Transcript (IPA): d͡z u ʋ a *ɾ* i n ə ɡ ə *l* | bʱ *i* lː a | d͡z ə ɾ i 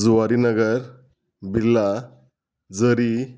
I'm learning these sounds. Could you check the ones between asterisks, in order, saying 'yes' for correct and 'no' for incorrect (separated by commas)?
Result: yes, no, yes